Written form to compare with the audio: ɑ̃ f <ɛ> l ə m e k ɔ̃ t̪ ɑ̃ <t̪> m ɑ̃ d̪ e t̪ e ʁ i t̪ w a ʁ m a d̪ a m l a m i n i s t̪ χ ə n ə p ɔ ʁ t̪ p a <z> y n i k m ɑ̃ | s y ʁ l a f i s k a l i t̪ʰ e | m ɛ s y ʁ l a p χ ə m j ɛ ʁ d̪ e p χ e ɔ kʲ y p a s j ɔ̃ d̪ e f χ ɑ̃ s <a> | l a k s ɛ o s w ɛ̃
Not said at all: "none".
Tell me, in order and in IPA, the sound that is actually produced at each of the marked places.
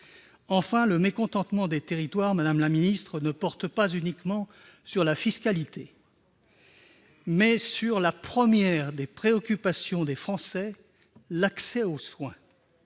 ɛ̃, t̪, z, ɛ

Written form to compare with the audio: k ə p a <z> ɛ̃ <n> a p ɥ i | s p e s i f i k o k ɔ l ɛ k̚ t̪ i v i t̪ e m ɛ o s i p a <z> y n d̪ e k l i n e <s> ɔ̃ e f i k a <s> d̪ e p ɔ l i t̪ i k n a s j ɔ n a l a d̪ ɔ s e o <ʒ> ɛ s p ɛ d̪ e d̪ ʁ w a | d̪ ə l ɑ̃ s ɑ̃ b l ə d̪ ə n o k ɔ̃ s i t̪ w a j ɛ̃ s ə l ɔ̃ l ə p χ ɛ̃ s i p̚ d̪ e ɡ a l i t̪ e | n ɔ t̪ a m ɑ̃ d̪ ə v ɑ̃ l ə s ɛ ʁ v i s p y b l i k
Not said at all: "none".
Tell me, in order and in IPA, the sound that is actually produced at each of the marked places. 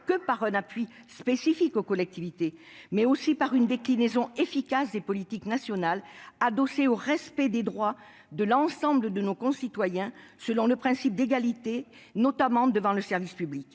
ʁ, n, ʁ, z, s, ʁ

